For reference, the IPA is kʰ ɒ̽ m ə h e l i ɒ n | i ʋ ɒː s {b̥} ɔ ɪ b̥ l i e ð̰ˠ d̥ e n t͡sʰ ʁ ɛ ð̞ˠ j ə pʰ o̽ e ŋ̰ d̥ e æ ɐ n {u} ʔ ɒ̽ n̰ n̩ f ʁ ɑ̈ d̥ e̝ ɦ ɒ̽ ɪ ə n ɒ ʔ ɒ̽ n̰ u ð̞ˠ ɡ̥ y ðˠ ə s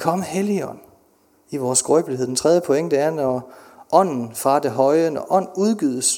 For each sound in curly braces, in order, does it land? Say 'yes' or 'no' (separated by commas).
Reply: no, no